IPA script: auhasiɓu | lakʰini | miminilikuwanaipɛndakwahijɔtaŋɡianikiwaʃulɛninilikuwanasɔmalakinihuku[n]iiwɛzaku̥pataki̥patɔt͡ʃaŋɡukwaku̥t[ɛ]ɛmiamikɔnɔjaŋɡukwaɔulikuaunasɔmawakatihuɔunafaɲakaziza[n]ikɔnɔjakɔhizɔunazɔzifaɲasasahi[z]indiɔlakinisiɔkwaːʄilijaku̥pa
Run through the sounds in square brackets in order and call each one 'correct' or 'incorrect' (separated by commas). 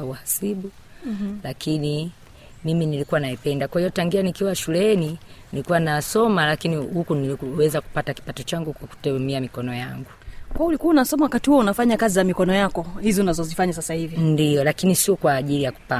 correct, correct, incorrect, incorrect